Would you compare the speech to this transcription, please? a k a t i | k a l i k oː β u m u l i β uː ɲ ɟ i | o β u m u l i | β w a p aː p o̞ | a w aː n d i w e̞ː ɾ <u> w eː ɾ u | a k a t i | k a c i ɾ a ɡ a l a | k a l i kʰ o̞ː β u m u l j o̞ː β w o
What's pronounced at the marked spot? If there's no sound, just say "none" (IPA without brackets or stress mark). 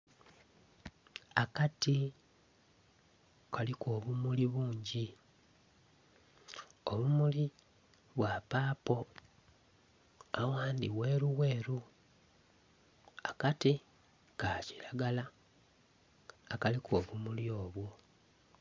u